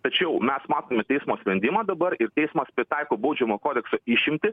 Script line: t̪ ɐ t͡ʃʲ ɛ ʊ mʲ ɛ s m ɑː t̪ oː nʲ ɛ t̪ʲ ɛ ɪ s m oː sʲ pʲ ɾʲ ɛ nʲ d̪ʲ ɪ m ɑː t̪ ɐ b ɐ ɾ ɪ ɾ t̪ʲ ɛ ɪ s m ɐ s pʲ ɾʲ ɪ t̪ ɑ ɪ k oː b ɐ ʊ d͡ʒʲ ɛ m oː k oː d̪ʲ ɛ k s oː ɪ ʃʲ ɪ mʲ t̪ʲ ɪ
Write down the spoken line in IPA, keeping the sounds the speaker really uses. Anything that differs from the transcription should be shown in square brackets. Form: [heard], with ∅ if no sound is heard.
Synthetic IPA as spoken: t̪ ɐ t͡ʃʲ ɛ ʊ mʲ ɛ s m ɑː t̪ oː [mʲ] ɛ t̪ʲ ɛ ɪ s m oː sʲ pʲ ɾʲ ɛ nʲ d̪ʲ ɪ m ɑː [d̪] ɐ b ɐ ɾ ɪ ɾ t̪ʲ ɛ ɪ s m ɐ s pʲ ɾʲ ɪ t̪ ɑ ɪ k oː b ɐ ʊ d͡ʒʲ ɛ m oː k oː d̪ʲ ɛ k s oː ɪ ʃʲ ɪ mʲ t̪ʲ ɪ